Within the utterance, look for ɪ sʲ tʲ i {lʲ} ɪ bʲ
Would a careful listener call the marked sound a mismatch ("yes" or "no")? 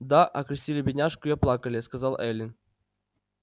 no